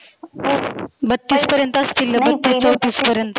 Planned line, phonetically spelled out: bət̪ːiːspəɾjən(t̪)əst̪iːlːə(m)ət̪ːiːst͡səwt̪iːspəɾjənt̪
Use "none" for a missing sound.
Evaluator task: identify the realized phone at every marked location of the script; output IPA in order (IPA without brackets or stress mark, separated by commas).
t̪, b